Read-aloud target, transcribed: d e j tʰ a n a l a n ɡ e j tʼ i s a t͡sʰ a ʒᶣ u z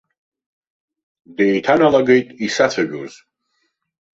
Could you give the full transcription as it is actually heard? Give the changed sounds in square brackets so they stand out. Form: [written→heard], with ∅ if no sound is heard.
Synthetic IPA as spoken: d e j tʰ a n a l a [n→∅] ɡ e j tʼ i s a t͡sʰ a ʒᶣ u z